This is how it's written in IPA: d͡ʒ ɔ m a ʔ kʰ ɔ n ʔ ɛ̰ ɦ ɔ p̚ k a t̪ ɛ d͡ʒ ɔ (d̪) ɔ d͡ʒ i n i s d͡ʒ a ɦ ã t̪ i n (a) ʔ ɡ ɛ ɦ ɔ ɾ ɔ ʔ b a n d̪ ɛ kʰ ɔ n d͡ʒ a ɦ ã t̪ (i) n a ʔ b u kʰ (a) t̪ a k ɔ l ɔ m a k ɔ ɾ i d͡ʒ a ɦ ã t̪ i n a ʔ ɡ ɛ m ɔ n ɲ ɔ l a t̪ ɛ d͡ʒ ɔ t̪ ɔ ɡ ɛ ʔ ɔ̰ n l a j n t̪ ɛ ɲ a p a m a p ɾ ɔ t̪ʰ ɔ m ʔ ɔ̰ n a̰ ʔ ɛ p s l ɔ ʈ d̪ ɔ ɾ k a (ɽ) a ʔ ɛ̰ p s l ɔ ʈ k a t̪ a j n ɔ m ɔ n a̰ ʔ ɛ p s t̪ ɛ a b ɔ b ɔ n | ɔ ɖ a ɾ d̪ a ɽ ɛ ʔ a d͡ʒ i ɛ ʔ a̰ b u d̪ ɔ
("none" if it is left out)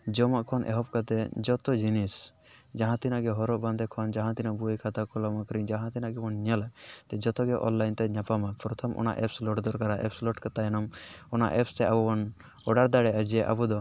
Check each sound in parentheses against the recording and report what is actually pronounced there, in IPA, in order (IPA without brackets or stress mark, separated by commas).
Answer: t̪, a, i, a, ɾ